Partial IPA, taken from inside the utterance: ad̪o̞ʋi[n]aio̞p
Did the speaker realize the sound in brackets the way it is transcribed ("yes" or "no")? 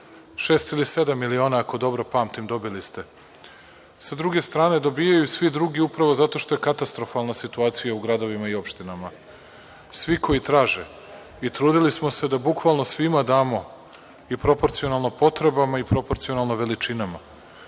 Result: no